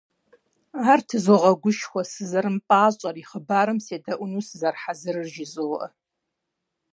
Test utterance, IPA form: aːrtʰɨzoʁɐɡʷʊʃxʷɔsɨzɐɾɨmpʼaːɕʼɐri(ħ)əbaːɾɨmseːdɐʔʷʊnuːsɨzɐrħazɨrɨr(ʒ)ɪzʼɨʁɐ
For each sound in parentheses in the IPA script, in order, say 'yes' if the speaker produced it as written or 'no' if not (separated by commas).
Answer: no, yes